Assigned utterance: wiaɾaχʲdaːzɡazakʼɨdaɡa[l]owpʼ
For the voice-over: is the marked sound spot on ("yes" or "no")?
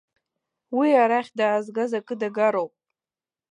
no